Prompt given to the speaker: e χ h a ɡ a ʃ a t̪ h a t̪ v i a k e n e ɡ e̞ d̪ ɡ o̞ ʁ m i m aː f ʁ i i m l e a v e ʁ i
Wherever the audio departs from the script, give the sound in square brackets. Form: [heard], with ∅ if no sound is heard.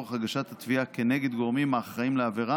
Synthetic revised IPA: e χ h a ɡ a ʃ a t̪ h a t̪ v i a k e n e ɡ e̞ d̪ ɡ o̞ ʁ m i m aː [χ] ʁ [a] i m l e a v e ʁ [a]